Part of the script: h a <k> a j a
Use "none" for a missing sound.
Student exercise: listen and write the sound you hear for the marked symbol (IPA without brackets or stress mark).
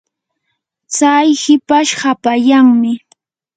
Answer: p